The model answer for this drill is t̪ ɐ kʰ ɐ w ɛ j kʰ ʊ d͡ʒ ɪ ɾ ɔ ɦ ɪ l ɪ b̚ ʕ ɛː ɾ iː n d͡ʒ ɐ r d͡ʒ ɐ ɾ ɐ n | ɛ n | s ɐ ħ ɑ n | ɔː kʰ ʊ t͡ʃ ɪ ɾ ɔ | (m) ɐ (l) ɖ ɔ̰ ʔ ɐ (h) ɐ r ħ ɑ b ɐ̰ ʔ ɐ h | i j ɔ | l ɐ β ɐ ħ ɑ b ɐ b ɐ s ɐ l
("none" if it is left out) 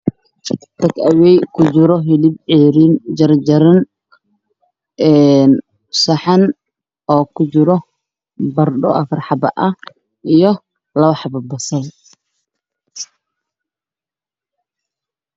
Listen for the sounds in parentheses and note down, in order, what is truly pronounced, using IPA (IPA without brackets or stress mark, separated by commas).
b, r, f